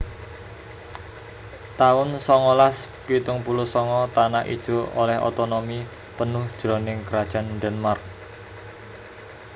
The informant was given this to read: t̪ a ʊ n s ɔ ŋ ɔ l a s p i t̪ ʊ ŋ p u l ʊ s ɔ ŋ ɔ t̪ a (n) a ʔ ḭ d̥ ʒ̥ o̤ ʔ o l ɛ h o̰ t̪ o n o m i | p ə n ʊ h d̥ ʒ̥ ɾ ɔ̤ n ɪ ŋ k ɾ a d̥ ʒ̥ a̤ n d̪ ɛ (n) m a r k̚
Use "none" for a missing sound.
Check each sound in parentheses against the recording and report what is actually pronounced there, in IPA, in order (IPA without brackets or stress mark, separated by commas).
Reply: n, n